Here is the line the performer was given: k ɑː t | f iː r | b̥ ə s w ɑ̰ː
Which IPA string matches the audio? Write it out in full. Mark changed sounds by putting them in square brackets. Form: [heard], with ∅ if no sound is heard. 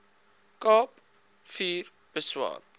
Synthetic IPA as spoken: k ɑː [p] | f iː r | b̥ ə s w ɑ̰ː